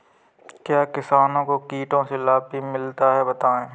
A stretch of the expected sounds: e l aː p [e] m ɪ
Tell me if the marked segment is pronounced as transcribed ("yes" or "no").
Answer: no